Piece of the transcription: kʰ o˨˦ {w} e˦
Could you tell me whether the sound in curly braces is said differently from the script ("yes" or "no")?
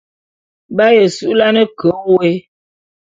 no